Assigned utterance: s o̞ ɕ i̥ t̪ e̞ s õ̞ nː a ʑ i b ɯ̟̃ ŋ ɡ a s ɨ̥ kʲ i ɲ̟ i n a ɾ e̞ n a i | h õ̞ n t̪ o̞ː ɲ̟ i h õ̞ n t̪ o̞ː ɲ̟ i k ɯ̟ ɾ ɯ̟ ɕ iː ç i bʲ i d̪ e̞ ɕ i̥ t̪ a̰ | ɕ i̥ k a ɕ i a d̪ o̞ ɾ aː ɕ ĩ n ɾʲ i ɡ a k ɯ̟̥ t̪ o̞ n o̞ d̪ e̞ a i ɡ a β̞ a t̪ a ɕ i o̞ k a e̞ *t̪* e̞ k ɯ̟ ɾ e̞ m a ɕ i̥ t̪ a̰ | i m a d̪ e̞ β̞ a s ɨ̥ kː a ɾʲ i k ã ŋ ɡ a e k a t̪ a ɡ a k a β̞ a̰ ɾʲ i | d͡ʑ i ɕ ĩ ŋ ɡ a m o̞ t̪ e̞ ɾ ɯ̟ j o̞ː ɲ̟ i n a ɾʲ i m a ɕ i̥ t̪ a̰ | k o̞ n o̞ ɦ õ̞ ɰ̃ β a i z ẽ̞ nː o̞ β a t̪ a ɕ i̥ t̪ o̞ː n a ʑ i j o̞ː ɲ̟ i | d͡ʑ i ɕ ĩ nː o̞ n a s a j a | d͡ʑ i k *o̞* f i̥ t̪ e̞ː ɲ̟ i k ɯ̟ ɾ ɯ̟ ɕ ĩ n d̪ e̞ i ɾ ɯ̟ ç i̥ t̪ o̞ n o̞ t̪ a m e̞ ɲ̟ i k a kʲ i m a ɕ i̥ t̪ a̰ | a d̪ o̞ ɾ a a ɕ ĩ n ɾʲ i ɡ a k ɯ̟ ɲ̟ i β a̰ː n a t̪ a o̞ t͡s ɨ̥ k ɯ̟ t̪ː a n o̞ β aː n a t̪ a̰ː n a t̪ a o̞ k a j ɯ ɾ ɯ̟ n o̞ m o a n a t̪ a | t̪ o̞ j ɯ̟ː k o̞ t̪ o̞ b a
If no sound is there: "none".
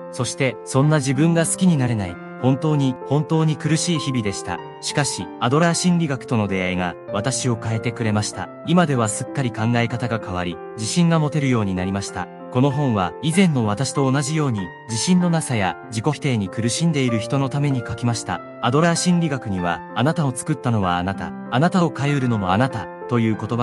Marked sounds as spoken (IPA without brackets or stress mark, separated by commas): t̪, o̞